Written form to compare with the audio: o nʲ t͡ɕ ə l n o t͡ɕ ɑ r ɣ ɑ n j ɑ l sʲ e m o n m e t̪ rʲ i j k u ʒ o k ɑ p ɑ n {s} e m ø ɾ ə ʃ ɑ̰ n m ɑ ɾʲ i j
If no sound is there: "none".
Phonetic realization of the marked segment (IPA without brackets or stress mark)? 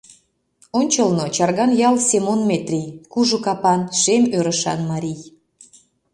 ʃ